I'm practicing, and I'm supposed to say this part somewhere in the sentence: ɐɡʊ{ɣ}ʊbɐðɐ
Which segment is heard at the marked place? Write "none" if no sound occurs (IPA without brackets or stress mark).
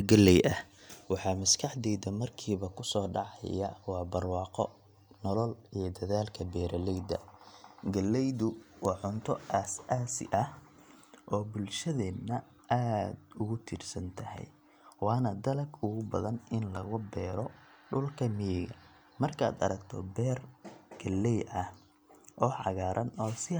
ɣ